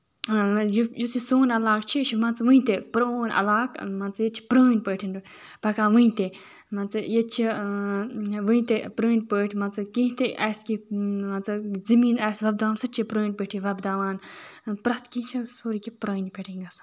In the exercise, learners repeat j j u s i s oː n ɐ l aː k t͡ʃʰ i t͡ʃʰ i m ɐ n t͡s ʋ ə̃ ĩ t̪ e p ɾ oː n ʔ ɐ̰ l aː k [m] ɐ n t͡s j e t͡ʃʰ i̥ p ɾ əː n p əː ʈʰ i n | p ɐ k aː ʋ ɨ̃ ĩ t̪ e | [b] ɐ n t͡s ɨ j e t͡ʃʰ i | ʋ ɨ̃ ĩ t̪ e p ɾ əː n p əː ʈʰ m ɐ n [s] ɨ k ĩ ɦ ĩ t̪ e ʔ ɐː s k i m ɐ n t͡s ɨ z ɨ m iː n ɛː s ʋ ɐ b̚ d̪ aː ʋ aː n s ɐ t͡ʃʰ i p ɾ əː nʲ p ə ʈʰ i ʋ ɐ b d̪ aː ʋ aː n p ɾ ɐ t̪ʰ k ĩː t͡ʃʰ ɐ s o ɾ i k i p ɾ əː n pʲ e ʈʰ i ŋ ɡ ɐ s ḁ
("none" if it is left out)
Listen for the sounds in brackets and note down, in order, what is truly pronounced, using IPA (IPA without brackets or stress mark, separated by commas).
m, m, t͡s